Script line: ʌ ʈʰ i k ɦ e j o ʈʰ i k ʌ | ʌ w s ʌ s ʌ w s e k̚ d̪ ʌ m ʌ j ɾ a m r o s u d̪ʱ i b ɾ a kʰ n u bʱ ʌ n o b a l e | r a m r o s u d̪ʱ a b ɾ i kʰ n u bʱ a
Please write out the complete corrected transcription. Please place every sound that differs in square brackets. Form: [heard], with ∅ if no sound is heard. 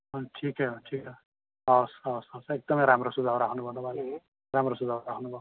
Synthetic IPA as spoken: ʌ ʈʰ i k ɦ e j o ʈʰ i k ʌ | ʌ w s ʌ s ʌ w s e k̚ d̪ ʌ m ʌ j ɾ a m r o s u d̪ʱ [a] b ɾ a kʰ n u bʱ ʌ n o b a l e | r a m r o s u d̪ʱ a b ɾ [a] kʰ n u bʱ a